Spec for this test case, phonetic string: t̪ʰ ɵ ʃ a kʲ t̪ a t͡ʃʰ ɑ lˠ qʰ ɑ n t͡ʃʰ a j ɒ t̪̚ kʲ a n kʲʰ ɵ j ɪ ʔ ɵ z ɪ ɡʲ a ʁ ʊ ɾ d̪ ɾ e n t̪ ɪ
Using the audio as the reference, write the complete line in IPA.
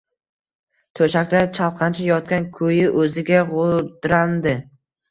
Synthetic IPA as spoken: t̪ʰ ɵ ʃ a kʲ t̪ a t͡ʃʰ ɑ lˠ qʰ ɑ n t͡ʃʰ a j ɒ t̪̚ kʲ a n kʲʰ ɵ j ɪ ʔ ɵ z ɪ ɡʲ a ʁ ʊ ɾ d̪ ɾ a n d̪ ɪ